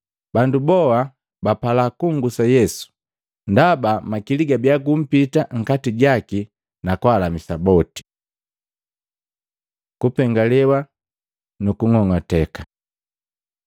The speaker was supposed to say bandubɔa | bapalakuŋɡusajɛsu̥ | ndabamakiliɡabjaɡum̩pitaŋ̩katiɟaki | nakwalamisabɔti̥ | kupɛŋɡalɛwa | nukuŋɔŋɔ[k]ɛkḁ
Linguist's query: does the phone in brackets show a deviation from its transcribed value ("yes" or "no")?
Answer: yes